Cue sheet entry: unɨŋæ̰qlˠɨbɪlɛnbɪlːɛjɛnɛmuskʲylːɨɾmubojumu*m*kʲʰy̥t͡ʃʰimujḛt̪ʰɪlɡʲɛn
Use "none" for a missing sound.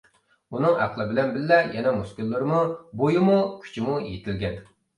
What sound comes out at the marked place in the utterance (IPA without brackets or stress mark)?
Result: none